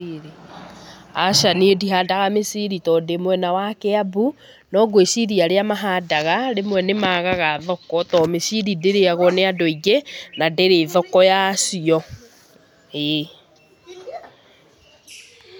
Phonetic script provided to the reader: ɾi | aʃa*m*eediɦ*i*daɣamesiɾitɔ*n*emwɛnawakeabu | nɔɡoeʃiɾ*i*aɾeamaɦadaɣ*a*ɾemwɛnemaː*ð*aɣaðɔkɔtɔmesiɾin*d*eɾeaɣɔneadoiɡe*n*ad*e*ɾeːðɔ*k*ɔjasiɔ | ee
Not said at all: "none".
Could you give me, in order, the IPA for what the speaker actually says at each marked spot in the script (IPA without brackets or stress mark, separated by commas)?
n, a, d, i, a, ɣ, d, n, e, k